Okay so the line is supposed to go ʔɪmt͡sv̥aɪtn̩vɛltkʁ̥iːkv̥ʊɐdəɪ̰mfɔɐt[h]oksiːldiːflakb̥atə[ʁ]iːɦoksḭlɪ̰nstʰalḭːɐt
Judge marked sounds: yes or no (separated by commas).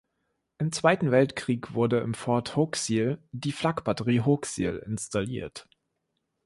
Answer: yes, yes